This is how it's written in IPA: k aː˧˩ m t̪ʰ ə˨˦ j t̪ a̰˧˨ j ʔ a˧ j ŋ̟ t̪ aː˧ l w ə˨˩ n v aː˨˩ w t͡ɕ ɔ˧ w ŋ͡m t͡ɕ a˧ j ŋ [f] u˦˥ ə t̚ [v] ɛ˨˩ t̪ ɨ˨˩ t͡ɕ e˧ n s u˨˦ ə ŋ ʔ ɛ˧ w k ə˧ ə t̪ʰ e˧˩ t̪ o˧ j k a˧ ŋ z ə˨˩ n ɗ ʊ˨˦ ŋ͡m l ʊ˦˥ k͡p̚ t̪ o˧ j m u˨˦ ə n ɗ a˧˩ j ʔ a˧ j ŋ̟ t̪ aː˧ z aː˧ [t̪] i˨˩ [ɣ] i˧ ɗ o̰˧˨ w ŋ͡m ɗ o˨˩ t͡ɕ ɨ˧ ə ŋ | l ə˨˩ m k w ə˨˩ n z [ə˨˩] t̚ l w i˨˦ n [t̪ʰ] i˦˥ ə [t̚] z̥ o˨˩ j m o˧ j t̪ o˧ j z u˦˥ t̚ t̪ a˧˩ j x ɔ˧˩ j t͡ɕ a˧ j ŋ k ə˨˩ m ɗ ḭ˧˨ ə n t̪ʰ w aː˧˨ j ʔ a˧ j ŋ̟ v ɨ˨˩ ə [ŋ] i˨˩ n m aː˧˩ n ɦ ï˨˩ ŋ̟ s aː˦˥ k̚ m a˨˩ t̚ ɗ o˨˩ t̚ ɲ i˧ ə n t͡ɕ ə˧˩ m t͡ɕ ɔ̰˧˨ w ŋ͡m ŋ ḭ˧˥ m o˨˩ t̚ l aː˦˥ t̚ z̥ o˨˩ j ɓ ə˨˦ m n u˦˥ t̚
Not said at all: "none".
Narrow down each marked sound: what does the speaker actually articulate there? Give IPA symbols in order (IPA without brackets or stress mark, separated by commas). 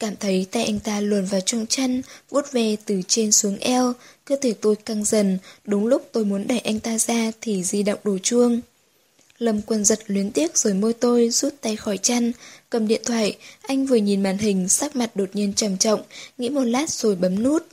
v, v, t̪ʰ, z, ə˨˩, t̪, k̚, ɲ